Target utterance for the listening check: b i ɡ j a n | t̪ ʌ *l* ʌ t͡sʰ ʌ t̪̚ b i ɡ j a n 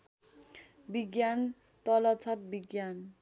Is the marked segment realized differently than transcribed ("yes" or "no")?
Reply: no